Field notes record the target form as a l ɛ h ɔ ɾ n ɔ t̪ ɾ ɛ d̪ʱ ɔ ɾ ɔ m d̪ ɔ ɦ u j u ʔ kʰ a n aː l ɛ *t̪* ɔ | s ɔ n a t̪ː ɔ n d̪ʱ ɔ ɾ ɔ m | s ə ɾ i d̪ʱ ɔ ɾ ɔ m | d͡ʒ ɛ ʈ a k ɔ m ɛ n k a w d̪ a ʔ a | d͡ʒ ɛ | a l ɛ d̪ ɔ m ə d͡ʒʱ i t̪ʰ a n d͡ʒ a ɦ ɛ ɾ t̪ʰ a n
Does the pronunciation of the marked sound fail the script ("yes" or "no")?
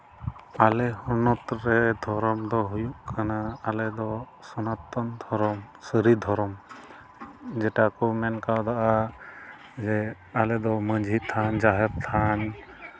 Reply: yes